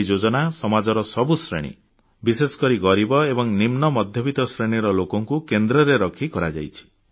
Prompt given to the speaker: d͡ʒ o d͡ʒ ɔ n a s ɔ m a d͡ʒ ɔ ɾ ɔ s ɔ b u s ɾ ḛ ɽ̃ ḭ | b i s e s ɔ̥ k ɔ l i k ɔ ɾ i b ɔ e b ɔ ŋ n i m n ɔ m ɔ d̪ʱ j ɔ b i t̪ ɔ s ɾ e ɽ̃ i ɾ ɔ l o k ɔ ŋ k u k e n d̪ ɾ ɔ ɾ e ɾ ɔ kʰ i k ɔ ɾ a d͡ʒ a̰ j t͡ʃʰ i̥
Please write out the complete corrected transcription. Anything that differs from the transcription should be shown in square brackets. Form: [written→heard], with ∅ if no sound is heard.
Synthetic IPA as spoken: d͡ʒ o d͡ʒ ɔ n a s ɔ m a d͡ʒ ɔ ɾ ɔ s ɔ b u s ɾ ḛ ɽ̃ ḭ | b i s e s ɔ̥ k ɔ [l→ɾ] i [k→ɡ] ɔ ɾ i b ɔ e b ɔ ŋ n i m n ɔ m ɔ d̪ʱ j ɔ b i t̪ ɔ s ɾ e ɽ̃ i ɾ ɔ l o k ɔ ŋ k u k e n d̪ ɾ ɔ ɾ e ɾ ɔ kʰ i k ɔ ɾ a d͡ʒ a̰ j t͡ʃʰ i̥